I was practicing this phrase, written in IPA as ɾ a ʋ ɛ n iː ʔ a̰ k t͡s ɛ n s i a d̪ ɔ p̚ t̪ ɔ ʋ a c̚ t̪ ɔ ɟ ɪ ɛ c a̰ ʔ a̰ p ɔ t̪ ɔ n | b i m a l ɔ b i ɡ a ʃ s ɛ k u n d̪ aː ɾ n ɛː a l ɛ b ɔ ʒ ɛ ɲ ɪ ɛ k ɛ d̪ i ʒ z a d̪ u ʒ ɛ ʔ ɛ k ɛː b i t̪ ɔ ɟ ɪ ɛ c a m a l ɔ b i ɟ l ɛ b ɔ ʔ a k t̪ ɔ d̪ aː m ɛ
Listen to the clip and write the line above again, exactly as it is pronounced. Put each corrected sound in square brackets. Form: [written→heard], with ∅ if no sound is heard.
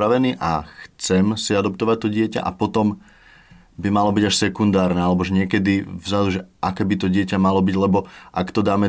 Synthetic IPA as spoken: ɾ a ʋ ɛ n iː ʔ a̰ [k→x] t͡s ɛ [n→m] s i a d̪ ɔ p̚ t̪ ɔ ʋ a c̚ t̪ ɔ ɟ ɪ ɛ c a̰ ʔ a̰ p ɔ t̪ ɔ [n→m] | b i m a l ɔ b i [ɡ→ɟ] a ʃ s ɛ k u n d̪ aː ɾ n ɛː a l ɛ b ɔ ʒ ɛ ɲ ɪ ɛ k ɛ d̪ i [ʒ→v] z a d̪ u ʒ ɛ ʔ [ɛ→a] k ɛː b i t̪ ɔ ɟ ɪ ɛ c a m a l ɔ b i ɟ l ɛ b ɔ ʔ a k t̪ ɔ d̪ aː m ɛ